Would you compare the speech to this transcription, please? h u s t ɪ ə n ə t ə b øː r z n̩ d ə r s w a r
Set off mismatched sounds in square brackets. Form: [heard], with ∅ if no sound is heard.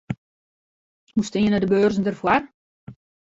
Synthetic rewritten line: h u s t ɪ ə n ə [d] ə b øː r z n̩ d ə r [f] w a r